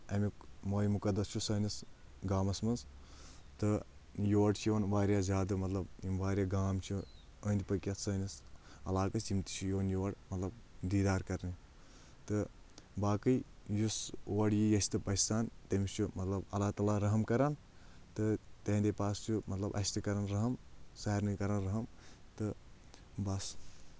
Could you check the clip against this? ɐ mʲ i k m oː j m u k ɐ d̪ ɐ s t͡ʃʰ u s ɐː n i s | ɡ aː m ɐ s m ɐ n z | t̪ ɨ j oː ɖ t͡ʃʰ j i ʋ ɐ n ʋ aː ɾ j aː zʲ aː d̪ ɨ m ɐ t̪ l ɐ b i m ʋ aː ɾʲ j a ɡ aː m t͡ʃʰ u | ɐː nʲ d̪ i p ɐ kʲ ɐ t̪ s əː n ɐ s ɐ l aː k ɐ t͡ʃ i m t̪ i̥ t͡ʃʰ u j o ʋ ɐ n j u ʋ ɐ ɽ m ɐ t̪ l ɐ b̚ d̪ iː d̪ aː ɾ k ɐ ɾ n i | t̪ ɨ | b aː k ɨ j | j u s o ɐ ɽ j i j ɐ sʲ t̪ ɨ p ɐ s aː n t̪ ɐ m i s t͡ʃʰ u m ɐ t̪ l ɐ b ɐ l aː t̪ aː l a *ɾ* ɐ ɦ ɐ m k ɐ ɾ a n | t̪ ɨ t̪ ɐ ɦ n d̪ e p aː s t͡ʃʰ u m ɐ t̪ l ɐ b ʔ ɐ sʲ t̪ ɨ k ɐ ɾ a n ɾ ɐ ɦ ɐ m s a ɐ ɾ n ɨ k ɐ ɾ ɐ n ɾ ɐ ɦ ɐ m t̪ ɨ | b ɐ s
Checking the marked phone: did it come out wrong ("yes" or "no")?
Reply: no